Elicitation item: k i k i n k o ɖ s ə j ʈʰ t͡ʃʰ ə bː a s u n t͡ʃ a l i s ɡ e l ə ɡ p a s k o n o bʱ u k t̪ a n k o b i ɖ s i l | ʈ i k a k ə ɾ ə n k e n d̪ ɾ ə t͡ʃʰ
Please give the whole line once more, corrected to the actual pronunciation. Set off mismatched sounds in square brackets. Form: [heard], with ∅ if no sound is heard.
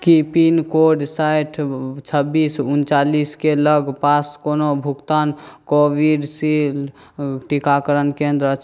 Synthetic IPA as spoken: k i [p] i n k o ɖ s [a] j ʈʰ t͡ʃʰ ə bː [i] s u n t͡ʃ a l i s [k] e l ə ɡ p a s k o n o bʱ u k t̪ a n k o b i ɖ s i l | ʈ i k a k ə ɾ ə n k e n d̪ ɾ ə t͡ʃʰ

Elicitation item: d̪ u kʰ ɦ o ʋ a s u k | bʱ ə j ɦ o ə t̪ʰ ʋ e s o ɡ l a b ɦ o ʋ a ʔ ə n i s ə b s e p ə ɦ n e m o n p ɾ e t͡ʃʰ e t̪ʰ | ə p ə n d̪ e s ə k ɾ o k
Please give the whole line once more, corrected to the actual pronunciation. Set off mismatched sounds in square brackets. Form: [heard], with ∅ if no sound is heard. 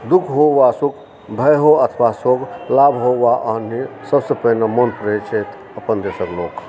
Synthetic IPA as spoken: d̪ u kʰ ɦ o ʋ a s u k | bʱ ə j ɦ o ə t̪ʰ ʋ [a] s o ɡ l a b ɦ o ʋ a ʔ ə n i s ə b s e p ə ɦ n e m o n p ɾ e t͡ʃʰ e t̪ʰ | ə p ə n d̪ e s ə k [l] o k

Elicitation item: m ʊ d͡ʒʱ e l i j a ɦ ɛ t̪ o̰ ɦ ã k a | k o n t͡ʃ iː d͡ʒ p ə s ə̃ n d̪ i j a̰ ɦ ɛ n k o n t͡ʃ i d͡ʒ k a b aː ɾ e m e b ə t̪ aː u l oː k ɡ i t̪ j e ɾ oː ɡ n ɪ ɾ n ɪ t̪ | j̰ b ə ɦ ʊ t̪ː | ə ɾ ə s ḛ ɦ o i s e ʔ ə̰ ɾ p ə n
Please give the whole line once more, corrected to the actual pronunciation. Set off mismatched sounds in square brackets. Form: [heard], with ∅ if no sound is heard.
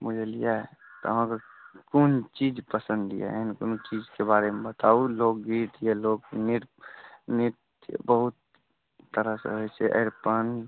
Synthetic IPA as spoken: m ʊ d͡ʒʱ e l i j a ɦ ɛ t̪ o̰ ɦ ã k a | k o n t͡ʃ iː d͡ʒ p ə s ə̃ n d̪ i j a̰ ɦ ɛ n k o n t͡ʃ i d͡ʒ k [e] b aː ɾ e m e b ə t̪ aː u l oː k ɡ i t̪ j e [l] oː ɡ n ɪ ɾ n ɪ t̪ | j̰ b ə ɦ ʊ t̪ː | ə ɾ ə s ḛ ɦ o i s e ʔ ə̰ ɾ p ə n

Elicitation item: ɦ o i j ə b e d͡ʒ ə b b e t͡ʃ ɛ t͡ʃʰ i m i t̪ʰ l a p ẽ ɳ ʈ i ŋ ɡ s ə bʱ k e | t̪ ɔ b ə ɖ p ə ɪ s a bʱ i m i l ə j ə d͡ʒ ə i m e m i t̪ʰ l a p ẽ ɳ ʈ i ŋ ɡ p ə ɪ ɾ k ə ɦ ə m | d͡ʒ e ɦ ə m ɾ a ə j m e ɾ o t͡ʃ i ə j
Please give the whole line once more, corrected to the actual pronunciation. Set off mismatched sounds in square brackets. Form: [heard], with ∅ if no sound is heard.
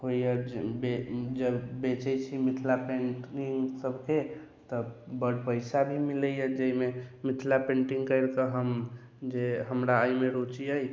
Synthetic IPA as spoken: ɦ o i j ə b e d͡ʒ ə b b e t͡ʃ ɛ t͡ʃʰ i m i t̪ʰ l a p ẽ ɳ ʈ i ŋ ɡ s ə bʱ k e | t̪ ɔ b ə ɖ p ə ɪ s a bʱ i m i l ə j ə d͡ʒ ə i m e m i t̪ʰ l a p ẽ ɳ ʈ i ŋ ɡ [k] ə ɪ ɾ k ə ɦ ə m | d͡ʒ e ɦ ə m ɾ a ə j m e ɾ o t͡ʃ i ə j

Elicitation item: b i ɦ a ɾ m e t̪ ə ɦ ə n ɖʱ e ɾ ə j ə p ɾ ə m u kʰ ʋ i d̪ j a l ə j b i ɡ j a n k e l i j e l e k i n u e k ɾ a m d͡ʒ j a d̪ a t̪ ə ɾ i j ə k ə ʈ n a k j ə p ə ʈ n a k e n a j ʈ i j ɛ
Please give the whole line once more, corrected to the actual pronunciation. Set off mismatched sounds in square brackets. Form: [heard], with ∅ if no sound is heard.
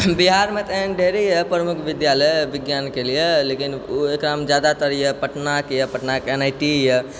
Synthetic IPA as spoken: b i ɦ a ɾ m e t̪ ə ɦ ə n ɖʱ e ɾ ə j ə p ɾ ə m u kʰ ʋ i d̪ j a l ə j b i ɡ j a n k e l i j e l e k i n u e k ɾ a m d͡ʒ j a d̪ a t̪ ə ɾ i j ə [p] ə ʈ n a k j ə p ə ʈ n a k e n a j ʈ i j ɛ

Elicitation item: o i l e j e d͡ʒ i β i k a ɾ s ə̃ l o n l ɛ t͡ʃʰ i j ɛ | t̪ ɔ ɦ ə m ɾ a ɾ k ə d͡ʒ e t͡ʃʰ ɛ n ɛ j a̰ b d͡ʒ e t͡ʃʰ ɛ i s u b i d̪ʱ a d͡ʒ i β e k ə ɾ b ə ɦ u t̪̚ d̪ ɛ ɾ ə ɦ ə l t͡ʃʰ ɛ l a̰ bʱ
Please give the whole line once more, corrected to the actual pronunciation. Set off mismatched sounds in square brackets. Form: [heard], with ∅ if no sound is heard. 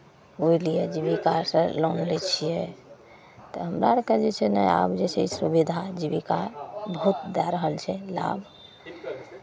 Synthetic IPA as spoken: o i l [i] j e d͡ʒ i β i k a ɾ s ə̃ l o n l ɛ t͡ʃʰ i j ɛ | t̪ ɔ ɦ ə m ɾ a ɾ k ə d͡ʒ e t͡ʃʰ ɛ n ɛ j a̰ b d͡ʒ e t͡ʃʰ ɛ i s u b i d̪ʱ a d͡ʒ i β [i] k [a] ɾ b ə ɦ u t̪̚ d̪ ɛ ɾ ə ɦ ə l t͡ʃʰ ɛ l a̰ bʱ

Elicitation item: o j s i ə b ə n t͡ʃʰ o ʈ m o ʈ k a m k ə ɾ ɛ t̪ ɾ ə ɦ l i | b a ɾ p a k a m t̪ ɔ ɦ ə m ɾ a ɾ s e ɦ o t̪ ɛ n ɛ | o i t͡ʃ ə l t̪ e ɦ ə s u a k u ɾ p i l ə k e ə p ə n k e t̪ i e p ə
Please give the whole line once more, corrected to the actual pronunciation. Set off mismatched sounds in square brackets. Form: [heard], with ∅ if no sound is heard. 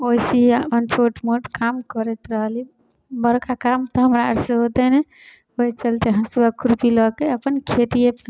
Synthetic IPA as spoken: o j s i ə [p] ə n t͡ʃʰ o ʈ m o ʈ k a m k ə ɾ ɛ t̪ ɾ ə ɦ l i | b [ə] ɾ [k] a k a m t̪ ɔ ɦ ə m ɾ a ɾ s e ɦ o t̪ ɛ n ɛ | o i t͡ʃ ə l t̪ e ɦ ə s u a k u ɾ p i l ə k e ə p ə n [kʰ] e t̪ i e p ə

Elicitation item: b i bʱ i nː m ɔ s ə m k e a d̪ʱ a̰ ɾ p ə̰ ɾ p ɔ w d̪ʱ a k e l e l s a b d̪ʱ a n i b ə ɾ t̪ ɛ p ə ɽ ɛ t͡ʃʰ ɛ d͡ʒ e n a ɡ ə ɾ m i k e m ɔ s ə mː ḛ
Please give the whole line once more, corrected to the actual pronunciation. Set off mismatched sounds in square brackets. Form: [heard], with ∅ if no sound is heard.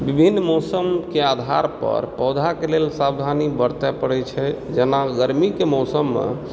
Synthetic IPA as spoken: b i bʱ i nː m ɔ s ə m k e a d̪ʱ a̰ ɾ p ə̰ ɾ p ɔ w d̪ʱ a k e l e l s a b d̪ʱ a n i b ə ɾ t̪ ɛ p ə ɽ ɛ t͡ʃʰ ɛ d͡ʒ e n a ɡ ə ɾ m i k e m ɔ s ə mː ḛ

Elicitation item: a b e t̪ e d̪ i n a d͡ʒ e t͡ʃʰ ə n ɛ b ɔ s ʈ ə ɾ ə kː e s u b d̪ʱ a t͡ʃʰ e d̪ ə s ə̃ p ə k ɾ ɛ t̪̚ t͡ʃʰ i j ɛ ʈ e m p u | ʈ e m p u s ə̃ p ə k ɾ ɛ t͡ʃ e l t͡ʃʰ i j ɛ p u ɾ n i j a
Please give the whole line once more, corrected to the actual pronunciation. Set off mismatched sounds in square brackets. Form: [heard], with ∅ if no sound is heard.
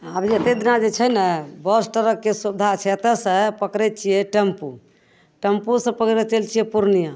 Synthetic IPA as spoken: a b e t̪ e d̪ i n a d͡ʒ e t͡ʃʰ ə n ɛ b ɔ s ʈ ə ɾ ə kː e s u b d̪ʱ a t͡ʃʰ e [t̪] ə s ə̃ p ə k ɾ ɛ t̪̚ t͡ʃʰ i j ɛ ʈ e m p u | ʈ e m p u s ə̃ p ə k ɾ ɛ t͡ʃ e l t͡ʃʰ i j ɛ p u ɾ n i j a

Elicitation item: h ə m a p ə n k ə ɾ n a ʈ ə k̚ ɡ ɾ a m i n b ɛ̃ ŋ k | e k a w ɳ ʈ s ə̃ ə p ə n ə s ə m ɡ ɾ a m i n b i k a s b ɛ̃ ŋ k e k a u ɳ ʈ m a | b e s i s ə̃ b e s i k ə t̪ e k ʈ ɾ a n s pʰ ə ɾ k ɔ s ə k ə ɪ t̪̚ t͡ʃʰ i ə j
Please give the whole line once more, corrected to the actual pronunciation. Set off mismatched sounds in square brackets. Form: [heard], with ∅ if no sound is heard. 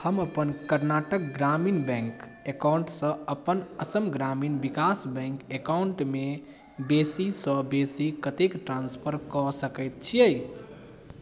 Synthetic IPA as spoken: h ə m [ə] p ə n k ə ɾ n a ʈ ə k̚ ɡ ɾ a m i n b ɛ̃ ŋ k | e k a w ɳ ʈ s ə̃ ə p ə n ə s ə m ɡ ɾ a m i n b i k a s b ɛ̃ ŋ k e k a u ɳ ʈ m [e] | b e s i s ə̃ b e s i k ə t̪ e k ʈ ɾ a n s pʰ ə ɾ k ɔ s ə k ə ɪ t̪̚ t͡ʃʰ i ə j

